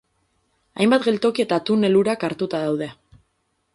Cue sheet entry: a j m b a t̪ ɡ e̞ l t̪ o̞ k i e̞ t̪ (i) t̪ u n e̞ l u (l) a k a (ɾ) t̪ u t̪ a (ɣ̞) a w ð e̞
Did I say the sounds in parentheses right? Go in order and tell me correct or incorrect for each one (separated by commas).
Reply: incorrect, incorrect, correct, incorrect